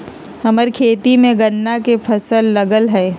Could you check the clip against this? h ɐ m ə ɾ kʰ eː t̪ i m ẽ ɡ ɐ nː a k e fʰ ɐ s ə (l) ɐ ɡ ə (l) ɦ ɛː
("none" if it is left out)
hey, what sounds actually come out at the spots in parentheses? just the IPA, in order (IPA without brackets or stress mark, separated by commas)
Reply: lː, l